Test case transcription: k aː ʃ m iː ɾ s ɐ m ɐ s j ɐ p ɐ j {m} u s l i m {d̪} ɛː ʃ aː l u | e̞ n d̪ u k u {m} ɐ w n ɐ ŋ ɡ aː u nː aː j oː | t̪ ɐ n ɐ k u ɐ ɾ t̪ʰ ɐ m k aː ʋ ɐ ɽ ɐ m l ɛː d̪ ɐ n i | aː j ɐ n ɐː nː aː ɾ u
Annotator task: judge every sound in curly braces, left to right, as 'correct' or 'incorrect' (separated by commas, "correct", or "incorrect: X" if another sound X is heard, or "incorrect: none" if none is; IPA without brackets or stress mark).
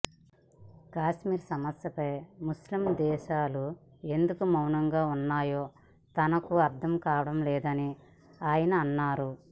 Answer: correct, correct, correct